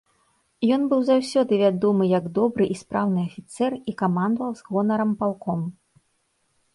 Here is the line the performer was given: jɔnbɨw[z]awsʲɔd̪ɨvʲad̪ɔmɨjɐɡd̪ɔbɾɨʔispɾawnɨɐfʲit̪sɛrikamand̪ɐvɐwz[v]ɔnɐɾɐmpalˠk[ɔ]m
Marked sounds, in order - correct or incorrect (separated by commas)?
correct, incorrect, correct